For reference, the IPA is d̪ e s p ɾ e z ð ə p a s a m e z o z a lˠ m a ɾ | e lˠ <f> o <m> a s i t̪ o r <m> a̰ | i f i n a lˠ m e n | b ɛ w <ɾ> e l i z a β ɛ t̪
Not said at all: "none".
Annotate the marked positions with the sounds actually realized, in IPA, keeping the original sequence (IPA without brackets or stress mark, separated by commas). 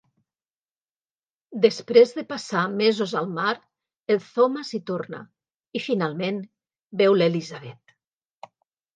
θ, m, n, l